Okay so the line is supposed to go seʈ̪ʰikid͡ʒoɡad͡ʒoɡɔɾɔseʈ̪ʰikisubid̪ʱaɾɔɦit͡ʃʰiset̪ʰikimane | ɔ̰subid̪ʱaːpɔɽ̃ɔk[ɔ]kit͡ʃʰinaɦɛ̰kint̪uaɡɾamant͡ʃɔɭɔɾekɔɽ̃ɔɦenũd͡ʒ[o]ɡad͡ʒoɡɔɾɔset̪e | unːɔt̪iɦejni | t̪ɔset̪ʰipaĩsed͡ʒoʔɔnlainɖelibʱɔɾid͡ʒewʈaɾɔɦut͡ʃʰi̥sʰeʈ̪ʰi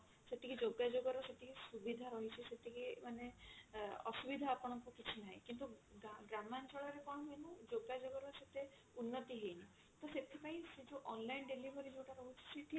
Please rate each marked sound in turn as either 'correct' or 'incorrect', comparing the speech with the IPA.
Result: incorrect: u, correct

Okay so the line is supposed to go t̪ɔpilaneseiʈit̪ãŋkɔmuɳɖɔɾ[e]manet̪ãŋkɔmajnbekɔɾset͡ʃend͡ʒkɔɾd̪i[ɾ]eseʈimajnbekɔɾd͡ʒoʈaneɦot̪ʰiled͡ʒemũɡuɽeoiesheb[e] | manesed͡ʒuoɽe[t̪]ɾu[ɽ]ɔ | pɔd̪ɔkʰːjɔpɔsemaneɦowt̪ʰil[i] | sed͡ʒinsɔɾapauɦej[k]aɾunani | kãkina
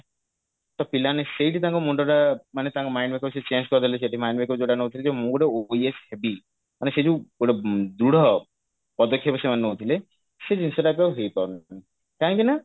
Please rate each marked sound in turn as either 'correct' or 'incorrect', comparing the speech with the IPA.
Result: incorrect: a, incorrect: l, incorrect: i, incorrect: d̪, correct, incorrect: e, incorrect: p

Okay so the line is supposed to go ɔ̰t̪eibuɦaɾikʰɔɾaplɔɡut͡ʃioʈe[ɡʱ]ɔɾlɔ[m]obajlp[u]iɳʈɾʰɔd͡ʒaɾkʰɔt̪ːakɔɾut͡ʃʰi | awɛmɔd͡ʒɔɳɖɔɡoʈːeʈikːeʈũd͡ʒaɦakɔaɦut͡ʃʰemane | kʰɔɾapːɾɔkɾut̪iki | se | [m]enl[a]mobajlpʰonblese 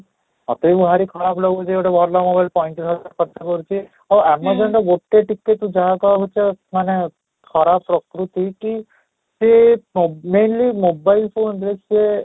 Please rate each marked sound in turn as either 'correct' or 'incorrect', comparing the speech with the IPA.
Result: incorrect: bʱ, correct, incorrect: ɔ, correct, incorrect: i

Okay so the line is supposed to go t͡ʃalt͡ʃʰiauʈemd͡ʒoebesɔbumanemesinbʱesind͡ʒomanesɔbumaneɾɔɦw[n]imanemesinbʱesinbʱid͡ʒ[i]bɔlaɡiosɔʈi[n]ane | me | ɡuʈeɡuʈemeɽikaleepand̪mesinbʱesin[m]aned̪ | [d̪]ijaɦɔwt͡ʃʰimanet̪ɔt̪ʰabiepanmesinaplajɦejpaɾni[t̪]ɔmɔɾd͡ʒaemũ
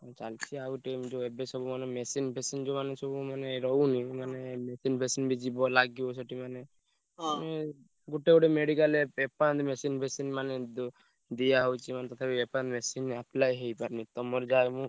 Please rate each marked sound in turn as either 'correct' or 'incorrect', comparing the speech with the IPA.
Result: correct, correct, incorrect: m, correct, correct, correct

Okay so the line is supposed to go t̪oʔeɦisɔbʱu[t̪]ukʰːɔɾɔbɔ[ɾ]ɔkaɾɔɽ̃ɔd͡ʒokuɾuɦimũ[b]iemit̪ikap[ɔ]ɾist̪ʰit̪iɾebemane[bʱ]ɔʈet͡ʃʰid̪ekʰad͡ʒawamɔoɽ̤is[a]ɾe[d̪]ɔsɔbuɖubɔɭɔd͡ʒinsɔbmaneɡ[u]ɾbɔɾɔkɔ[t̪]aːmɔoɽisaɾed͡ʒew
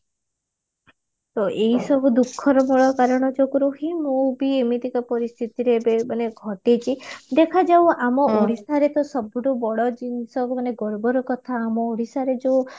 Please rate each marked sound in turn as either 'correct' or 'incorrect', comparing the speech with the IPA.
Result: incorrect: d̪, incorrect: ɭ, correct, correct, incorrect: ɡʱ, correct, incorrect: t̪, incorrect: ɔ, incorrect: t̪ʰ

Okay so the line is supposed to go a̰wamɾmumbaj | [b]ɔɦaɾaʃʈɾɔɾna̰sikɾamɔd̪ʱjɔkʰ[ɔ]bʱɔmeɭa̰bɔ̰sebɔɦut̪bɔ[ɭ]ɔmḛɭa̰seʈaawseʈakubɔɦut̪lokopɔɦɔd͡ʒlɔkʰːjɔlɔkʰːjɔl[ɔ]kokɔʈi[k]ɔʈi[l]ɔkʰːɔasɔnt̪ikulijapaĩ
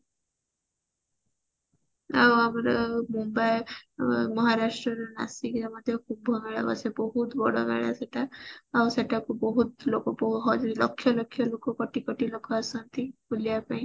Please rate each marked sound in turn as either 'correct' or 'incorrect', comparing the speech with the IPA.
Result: incorrect: m, incorrect: u, incorrect: ɽ, incorrect: o, correct, correct

